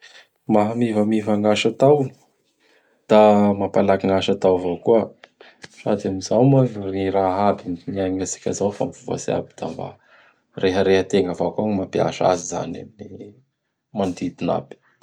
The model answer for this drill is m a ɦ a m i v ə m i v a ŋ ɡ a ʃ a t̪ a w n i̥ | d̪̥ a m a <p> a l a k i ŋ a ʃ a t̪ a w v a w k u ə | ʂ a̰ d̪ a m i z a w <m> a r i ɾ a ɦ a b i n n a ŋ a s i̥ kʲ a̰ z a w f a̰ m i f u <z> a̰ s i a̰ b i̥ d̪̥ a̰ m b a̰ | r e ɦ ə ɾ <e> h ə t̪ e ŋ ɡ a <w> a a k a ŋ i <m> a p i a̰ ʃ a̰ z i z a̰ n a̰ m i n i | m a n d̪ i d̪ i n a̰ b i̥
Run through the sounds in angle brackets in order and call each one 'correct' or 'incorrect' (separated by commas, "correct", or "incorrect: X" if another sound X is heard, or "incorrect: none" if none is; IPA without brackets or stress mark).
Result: correct, correct, incorrect: v, correct, incorrect: v, correct